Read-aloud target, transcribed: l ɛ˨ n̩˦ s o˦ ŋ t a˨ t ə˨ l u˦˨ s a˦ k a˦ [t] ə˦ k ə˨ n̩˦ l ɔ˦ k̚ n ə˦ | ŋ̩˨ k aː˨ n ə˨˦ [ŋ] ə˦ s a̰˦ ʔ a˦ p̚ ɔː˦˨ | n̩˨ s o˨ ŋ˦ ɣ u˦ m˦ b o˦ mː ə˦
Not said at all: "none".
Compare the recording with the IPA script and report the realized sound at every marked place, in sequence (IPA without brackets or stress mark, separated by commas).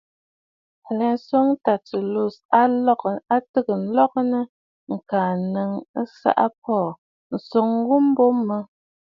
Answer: t, ŋ